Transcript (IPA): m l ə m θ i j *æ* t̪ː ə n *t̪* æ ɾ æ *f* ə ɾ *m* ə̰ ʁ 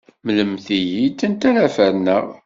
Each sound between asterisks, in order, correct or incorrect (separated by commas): incorrect, correct, correct, incorrect